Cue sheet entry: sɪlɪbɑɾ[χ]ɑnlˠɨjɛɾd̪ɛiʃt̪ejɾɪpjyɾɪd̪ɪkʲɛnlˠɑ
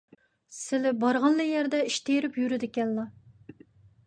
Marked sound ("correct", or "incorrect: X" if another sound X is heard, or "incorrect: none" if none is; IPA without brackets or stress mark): incorrect: ʁ